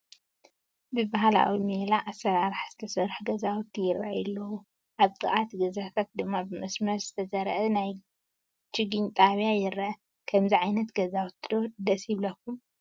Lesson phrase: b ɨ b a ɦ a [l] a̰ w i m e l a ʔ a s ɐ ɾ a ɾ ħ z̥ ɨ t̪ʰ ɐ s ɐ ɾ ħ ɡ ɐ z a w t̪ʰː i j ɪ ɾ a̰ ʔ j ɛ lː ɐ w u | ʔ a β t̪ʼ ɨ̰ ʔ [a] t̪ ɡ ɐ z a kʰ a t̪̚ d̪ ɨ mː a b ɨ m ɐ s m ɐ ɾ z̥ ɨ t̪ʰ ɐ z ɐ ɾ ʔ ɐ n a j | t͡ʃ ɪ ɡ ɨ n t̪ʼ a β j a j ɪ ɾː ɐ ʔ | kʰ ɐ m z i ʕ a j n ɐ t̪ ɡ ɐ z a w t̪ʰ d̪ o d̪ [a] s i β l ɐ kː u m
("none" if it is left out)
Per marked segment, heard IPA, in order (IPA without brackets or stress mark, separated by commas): l, a, ɐ